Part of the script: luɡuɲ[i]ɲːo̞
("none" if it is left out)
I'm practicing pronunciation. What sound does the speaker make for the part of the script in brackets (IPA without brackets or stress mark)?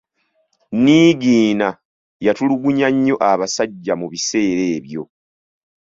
a